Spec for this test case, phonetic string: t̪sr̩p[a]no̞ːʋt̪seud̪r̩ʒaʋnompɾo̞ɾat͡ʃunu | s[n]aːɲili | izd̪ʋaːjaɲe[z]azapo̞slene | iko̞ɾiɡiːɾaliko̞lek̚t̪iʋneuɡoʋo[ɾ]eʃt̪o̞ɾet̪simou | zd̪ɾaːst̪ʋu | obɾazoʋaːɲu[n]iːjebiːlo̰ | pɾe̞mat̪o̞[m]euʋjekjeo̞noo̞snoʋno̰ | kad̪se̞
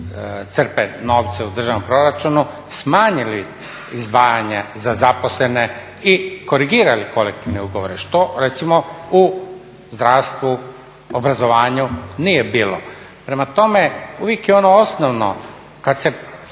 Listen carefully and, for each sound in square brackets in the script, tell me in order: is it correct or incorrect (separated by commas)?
incorrect, incorrect, correct, correct, correct, correct